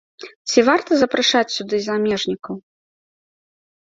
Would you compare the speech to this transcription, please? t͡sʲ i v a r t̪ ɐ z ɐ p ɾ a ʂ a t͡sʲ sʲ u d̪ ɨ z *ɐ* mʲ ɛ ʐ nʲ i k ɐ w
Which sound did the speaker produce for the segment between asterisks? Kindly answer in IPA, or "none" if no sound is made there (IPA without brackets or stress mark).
a